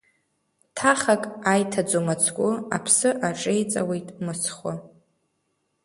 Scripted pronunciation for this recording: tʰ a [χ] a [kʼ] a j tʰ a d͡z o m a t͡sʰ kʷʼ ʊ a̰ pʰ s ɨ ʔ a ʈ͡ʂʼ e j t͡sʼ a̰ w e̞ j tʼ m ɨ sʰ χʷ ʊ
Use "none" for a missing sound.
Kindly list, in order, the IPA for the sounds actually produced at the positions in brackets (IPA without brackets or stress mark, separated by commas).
χ, kʼ